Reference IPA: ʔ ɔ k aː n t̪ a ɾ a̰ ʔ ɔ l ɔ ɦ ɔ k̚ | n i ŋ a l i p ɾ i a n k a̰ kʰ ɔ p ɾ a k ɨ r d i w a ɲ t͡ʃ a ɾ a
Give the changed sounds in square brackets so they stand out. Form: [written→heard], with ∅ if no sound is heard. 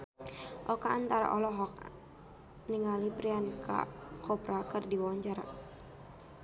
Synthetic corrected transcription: ʔ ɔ k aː n t̪ a ɾ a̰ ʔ ɔ l ɔ ɦ ɔ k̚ | n i ŋ a l i p ɾ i a n k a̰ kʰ ɔ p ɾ a k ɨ r d i w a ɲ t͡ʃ a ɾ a